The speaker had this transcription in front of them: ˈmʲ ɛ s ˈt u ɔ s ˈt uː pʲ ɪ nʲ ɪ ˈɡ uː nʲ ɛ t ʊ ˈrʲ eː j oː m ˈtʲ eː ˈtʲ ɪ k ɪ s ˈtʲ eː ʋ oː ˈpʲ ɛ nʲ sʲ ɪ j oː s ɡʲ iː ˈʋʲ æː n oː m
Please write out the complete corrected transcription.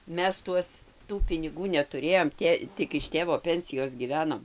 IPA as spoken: ˈmʲ ɛ s ˈt u ɔ s ˈt uː pʲ ɪ nʲ ɪ ˈɡ uː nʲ ɛ t ʊ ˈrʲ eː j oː m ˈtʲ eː ˈtʲ ɪ k ɪ ʃ ˈtʲ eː ʋ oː ˈpʲ ɛ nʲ sʲ ɪ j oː s ɡʲ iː ˈʋʲ æː n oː m